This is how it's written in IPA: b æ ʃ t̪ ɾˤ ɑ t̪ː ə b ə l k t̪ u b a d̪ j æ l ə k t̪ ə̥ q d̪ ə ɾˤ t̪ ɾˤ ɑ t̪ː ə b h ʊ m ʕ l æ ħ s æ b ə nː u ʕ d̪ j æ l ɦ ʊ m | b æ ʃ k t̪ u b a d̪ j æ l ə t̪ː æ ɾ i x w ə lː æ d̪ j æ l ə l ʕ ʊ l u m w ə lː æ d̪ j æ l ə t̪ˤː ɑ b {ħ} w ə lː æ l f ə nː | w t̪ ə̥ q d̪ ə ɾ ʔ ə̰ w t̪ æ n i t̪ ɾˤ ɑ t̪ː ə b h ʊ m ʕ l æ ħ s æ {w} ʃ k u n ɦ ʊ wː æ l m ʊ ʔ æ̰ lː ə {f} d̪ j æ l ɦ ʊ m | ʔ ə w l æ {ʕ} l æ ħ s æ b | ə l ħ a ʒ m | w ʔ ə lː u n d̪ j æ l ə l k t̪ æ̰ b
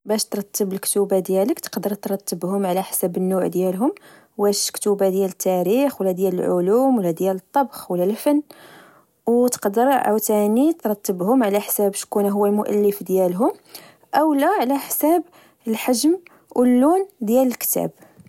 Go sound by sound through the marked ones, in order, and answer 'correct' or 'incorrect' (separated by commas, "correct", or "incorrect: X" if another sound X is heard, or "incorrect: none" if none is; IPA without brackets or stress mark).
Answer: incorrect: x, incorrect: b, correct, correct